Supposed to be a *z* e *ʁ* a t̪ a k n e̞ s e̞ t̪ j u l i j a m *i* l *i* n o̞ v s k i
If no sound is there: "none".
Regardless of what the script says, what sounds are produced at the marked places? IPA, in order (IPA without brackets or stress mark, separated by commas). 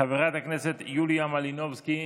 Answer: v, ʁ, a, i